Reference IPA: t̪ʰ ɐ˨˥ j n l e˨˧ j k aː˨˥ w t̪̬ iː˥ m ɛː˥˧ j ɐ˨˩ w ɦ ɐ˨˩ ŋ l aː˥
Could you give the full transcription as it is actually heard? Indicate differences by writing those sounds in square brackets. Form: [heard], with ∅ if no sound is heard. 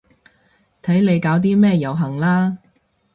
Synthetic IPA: t̪ʰ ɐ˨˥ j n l e˨˧ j k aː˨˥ w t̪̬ iː˥ m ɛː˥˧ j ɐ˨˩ w ɦ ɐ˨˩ ŋ l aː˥